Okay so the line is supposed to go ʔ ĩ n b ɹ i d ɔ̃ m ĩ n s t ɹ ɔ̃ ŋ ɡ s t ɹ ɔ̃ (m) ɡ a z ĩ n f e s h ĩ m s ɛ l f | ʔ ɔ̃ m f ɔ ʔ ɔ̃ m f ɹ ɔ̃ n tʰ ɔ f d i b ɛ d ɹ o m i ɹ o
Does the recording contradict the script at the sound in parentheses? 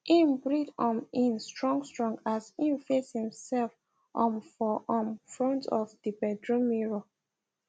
yes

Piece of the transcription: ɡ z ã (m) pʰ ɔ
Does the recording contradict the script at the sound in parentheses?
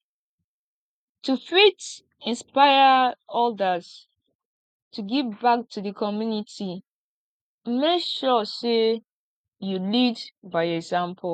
no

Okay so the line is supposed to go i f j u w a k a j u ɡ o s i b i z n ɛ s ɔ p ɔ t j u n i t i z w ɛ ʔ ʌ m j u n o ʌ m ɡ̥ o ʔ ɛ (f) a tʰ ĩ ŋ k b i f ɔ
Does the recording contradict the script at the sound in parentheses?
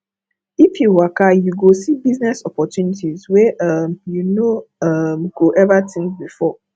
yes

